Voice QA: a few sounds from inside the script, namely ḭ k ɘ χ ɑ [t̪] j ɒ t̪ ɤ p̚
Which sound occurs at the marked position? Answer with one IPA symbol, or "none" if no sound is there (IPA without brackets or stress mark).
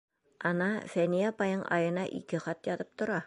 t̪